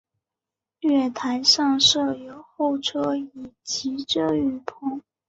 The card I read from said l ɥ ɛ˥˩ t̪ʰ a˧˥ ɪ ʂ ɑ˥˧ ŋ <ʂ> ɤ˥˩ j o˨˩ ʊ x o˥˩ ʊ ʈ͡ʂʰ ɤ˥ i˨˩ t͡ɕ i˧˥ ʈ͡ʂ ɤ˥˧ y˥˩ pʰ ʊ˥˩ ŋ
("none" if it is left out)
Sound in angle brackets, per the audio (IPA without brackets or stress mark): ʂ